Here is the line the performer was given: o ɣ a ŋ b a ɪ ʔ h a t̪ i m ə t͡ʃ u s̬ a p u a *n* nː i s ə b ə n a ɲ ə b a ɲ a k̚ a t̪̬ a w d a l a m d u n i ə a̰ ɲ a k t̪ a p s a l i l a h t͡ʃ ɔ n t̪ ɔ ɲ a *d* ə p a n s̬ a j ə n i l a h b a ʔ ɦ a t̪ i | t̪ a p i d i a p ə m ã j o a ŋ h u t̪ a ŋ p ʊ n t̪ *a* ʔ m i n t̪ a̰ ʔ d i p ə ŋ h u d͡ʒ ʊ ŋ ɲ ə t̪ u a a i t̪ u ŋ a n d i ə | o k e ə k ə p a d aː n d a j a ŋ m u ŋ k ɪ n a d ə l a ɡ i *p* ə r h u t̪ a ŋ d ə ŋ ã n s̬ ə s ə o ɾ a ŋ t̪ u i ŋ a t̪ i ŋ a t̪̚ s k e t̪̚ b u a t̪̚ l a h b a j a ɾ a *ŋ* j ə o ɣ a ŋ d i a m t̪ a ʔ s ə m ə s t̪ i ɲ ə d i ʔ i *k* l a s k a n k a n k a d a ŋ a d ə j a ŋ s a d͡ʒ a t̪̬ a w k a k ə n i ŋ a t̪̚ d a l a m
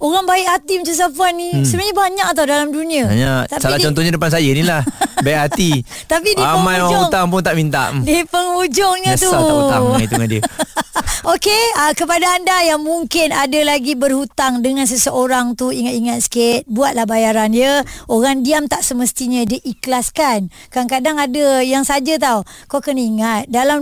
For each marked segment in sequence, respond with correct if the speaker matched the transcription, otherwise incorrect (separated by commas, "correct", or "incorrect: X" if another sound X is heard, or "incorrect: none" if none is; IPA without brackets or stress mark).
correct, correct, correct, incorrect: b, incorrect: n, correct